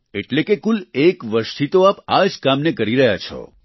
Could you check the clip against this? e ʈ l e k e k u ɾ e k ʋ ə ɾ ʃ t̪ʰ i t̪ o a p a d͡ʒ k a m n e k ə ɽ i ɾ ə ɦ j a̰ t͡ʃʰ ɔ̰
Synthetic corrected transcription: e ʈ l e k e k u l e k ʋ ə ɾ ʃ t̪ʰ i t̪ o a p a d͡ʒ k a m n e k ə ɾ i ɾ ə ɦ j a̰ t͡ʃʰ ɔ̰